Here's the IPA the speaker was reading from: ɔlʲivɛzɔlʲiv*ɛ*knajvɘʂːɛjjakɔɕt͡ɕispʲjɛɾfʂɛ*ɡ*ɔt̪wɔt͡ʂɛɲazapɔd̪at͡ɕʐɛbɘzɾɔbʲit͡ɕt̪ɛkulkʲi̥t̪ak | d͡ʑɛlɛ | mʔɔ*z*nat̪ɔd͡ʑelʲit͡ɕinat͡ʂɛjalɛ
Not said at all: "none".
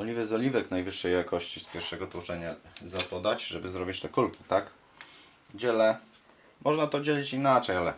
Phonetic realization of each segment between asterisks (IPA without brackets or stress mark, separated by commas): ɛ, ɡ, ʐ